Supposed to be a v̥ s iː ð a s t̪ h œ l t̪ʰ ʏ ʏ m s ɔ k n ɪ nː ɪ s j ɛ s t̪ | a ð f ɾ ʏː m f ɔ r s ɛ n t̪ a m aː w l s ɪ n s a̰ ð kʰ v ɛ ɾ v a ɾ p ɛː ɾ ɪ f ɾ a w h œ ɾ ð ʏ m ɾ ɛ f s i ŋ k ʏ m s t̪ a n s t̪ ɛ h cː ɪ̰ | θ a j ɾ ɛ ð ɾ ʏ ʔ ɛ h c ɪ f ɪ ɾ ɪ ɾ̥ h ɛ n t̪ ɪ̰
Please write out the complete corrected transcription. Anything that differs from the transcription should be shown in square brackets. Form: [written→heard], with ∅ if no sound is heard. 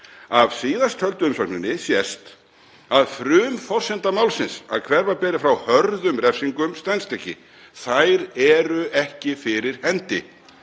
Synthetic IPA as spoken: a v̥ s iː ð a s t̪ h œ l [t̪ʰ→t̪] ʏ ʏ m s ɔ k n ɪ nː ɪ s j ɛ s t̪ | a ð f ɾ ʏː m f ɔ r s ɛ n t̪ a m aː w l s ɪ n s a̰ ð kʰ v ɛ ɾ v a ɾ p ɛː ɾ ɪ f ɾ a w h œ ɾ ð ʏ m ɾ ɛ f s i ŋ k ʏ m s t̪ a n s t̪ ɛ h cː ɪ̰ | θ a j ɾ ɛ [ð→∅] ɾ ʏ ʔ ɛ h c ɪ f ɪ ɾ ɪ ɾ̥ h ɛ n t̪ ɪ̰

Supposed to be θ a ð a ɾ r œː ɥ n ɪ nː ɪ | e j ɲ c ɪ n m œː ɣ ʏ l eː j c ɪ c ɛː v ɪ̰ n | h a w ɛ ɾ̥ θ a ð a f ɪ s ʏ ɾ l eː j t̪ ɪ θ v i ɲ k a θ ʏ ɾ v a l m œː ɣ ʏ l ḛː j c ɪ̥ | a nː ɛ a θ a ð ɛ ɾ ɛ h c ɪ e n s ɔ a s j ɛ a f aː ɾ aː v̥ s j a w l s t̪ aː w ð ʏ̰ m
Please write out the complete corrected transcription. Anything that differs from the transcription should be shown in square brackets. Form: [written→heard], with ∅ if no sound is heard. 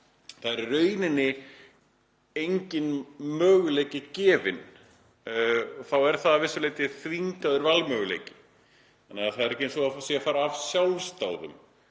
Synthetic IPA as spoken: θ a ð [a→ɛ] ɾ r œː ɥ n ɪ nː ɪ | e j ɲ c ɪ n m œː ɣ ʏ l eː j c ɪ c ɛː v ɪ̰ n | [h→θ] a w ɛ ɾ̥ θ a ð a [f→v] ɪ s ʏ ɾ l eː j t̪ ɪ θ v i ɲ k a [θ→ð] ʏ ɾ v a l m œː ɣ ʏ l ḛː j c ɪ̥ | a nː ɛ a θ a ð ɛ ɾ ɛ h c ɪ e n s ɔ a s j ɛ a f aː ɾ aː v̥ s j a w l s t̪ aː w ð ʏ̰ m

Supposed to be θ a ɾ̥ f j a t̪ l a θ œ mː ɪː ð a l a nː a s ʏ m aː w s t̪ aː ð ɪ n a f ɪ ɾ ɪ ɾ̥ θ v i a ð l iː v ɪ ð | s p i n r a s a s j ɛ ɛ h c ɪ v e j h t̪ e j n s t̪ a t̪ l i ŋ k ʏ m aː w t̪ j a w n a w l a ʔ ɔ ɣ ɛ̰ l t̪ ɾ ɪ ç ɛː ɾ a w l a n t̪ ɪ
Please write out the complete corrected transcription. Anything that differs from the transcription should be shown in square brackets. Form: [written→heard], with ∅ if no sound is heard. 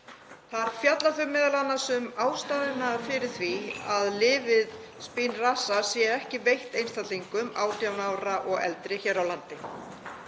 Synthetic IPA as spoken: θ a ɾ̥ f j a t̪ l a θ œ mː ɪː ð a l a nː a s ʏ m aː w s t̪ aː ð ɪ n a f ɪ ɾ ɪ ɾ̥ θ v i a ð l [iː→ɪː] v ɪ ð | s p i n r a s a s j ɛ ɛ h c ɪ v e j h t̪ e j n s t̪ a t̪ l i ŋ k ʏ m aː w t̪ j a w n a w [l→ɾ] a ʔ ɔ ɣ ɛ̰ l t̪ ɾ ɪ ç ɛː ɾ a w l a n t̪ ɪ

